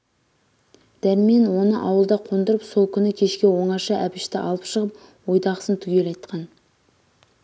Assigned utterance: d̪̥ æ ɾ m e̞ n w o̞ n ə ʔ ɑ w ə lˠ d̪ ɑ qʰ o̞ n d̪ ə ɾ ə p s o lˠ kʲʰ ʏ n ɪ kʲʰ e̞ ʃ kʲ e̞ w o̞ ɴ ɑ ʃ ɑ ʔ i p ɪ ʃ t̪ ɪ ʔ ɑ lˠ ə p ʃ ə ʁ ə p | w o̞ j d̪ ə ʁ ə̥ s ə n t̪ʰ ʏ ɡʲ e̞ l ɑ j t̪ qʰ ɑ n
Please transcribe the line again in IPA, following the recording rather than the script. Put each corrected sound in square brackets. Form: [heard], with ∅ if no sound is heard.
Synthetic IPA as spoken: d̪̥ æ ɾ m e̞ n w o̞ n ə ʔ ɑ w ə lˠ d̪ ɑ qʰ o̞ n d̪ ə ɾ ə p s o lˠ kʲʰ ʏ n ɪ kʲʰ e̞ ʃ kʲ e̞ w o̞ ɴ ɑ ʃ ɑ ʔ [æ] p ɪ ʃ t̪ ɪ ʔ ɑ lˠ ə p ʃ ə ʁ ə p | w o̞ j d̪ [ɑ] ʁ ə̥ s ə n t̪ʰ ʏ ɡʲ e̞ l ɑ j t̪ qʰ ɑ n